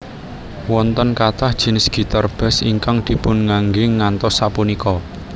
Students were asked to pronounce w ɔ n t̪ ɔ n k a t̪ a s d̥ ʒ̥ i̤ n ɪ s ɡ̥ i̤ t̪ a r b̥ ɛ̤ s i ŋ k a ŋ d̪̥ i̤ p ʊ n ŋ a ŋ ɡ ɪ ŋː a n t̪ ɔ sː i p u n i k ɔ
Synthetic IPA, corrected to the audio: w ɔ n t̪ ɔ n k a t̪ a h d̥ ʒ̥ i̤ n ɪ s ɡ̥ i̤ t̪ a r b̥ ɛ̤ s i ŋ k a ŋ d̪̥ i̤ p ʊ n ŋ a ŋ ɡ ɪ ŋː a n t̪ ɔ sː a p u n i k ɔ